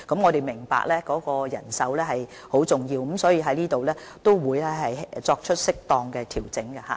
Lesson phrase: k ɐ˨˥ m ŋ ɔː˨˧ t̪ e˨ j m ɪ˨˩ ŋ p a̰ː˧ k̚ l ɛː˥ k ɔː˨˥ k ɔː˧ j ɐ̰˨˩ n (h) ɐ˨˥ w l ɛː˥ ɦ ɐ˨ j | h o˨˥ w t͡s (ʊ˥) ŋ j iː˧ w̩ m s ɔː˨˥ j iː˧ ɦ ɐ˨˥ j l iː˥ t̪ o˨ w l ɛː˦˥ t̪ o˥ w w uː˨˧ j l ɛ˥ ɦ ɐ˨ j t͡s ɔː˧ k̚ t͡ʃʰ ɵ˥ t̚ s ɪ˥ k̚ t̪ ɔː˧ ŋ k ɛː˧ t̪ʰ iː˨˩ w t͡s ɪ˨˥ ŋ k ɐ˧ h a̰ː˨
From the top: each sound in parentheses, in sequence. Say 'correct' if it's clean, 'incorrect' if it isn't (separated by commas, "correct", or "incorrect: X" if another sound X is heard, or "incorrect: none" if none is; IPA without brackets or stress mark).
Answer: incorrect: s, incorrect: ʊ˨˩